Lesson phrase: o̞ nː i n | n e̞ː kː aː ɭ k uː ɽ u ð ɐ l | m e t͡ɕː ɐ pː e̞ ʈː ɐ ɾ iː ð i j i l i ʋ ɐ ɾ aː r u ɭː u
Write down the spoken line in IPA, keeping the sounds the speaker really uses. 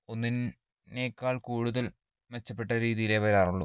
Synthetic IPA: o̞ nː i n | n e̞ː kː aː ɭ k uː ɽ u ð ɐ l | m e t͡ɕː ɐ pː e̞ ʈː ɐ ɾ iː ð i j i l e ʋ ɐ ɾ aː r u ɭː u